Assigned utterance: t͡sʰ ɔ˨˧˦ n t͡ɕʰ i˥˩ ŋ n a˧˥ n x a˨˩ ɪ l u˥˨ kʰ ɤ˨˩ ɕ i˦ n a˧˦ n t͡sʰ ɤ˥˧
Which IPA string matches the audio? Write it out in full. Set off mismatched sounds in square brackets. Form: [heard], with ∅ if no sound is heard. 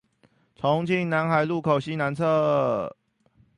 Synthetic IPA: t͡sʰ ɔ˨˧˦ [ŋ] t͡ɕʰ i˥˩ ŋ n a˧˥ n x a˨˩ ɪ l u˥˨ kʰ [o˨˩] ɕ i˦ n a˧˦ n t͡sʰ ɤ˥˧